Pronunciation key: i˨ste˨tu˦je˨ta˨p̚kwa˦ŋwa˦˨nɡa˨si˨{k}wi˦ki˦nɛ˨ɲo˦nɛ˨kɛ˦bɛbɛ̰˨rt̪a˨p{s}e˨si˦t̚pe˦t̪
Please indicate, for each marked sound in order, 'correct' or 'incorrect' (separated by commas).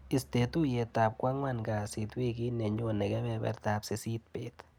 incorrect, correct